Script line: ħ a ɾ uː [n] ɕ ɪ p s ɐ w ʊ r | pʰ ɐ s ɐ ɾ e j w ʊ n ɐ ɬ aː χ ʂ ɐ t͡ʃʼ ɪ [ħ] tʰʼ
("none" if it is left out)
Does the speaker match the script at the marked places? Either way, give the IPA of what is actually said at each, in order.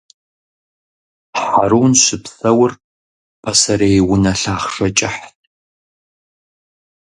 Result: n, ħ

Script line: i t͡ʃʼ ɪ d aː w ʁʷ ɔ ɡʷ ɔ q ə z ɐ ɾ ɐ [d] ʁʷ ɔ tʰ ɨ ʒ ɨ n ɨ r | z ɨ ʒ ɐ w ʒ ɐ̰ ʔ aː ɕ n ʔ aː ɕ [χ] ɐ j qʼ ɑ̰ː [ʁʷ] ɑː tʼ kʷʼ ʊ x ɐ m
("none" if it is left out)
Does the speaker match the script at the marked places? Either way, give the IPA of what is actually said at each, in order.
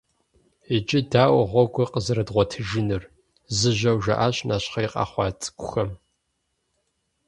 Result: d, χ, χʷ

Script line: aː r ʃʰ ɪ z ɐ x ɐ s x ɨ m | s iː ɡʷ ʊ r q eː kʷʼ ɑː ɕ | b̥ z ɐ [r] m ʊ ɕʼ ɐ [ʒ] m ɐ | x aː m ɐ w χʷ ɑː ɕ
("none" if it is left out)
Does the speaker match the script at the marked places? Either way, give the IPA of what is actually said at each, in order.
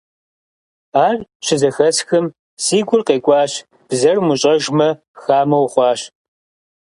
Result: r, ʒ

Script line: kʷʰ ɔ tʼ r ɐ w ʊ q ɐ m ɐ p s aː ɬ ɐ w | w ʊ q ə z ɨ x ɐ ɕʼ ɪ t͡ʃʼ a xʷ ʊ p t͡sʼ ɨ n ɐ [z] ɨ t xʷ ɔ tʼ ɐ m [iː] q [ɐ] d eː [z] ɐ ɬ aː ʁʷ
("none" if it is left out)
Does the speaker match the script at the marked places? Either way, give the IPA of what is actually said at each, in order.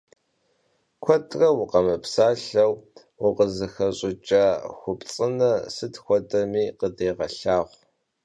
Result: s, iː, ə, ʁ

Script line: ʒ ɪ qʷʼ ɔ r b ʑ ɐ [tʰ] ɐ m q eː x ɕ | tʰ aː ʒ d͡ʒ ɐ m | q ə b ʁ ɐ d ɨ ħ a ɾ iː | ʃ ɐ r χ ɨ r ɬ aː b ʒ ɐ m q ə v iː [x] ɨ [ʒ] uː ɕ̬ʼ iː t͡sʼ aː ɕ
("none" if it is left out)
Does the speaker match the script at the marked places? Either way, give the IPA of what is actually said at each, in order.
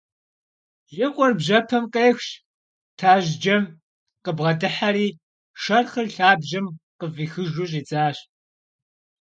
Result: pʰ, x, ʒ

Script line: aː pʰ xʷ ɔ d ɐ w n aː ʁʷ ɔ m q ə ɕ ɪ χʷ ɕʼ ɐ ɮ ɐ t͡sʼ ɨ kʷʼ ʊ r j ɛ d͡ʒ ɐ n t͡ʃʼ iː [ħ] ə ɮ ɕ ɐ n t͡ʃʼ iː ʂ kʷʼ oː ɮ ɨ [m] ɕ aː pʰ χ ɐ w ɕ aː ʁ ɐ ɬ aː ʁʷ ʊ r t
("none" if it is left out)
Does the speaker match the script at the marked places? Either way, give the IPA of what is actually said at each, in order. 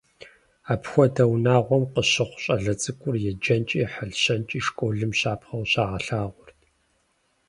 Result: ħ, m

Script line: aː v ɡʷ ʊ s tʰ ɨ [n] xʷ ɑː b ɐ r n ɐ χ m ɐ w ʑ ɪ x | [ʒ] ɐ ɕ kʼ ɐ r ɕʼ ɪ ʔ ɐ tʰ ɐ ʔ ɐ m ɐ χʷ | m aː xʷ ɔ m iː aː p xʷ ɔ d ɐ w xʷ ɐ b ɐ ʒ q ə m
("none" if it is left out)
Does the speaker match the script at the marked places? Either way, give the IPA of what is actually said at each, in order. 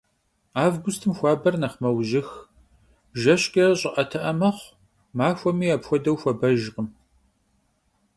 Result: m, ʒ

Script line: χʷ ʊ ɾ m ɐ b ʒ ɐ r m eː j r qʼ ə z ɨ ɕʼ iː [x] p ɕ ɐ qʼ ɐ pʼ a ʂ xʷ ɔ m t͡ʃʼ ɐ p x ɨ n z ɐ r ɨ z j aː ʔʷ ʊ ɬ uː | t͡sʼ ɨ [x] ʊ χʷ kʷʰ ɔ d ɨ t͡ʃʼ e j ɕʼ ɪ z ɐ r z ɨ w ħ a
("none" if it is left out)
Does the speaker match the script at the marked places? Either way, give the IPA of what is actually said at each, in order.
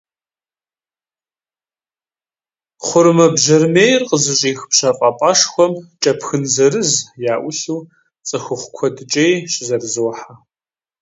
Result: x, x

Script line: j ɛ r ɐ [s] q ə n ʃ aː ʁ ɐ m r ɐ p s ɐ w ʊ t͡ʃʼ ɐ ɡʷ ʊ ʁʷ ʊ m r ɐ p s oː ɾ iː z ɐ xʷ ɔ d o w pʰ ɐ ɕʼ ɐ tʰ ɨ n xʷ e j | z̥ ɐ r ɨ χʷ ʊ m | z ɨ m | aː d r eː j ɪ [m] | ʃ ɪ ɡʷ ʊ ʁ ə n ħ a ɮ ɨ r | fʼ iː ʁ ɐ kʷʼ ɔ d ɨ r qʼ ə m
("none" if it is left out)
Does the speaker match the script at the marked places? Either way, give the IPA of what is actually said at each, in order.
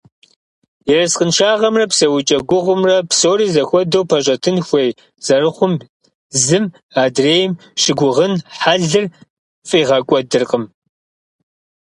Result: s, m

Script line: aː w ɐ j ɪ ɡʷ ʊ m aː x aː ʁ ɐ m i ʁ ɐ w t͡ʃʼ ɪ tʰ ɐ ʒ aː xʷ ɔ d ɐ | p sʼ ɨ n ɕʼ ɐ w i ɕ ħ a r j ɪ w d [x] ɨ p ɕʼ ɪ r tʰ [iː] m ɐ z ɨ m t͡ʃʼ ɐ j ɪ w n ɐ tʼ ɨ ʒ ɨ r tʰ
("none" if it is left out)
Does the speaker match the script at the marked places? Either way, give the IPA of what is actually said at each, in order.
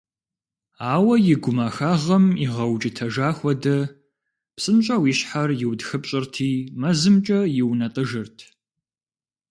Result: x, iː

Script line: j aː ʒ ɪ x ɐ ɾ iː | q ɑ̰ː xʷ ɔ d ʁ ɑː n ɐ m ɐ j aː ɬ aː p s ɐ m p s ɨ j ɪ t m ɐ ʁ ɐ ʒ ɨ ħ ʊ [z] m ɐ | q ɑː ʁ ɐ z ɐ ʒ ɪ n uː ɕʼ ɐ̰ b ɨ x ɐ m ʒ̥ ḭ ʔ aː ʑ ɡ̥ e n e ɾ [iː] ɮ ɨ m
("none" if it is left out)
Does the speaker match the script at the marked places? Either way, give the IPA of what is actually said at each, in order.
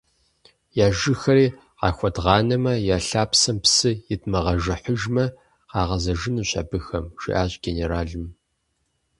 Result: ʒ, aː

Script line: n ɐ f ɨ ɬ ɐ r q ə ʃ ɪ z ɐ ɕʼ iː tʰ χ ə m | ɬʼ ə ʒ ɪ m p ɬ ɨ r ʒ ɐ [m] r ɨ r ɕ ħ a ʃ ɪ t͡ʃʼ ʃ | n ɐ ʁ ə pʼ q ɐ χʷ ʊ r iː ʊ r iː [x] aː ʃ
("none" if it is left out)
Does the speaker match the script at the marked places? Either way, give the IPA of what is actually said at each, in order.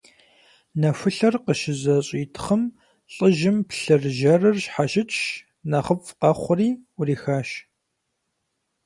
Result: none, x

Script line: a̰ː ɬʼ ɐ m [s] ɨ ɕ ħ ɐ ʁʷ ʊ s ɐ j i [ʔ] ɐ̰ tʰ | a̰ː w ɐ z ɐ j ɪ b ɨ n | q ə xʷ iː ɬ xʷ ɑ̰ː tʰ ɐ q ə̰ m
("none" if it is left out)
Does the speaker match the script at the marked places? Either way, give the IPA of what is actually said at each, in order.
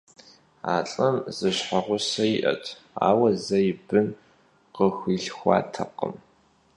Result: z, ʔ

